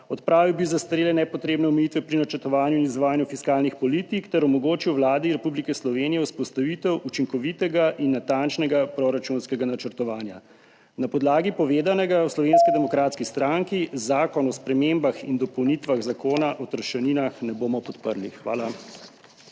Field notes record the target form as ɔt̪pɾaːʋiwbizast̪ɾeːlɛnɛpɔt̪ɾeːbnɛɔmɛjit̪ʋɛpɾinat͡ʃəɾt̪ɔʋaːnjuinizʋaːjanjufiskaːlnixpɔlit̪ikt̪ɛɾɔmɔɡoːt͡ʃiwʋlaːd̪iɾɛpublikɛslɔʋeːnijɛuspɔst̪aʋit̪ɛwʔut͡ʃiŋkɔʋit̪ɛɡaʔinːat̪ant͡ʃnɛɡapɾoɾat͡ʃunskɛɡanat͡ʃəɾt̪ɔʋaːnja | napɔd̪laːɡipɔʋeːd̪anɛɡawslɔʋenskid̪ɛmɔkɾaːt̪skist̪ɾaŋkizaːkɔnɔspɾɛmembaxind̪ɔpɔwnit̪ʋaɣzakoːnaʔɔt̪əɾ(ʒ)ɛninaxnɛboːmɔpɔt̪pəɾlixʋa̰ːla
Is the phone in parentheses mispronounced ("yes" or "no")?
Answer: yes